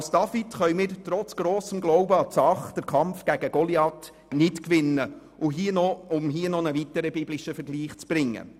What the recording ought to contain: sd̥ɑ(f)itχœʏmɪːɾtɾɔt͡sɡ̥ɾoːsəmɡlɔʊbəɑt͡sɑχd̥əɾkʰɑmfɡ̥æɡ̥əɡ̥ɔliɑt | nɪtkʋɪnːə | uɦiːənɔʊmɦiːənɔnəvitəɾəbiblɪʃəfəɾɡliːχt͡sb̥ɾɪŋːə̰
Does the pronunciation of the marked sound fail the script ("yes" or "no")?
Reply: no